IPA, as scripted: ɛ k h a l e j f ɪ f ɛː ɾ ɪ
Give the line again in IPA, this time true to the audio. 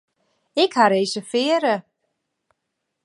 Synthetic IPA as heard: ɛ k h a ɾ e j s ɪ f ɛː ɾ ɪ